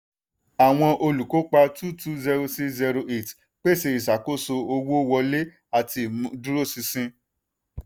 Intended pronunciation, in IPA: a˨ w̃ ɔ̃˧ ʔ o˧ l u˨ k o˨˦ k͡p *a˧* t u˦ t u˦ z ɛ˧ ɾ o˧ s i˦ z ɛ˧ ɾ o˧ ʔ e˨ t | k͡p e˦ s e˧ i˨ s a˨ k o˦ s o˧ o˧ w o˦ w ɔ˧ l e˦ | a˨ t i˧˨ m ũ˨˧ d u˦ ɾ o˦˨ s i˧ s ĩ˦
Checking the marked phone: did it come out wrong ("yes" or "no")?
no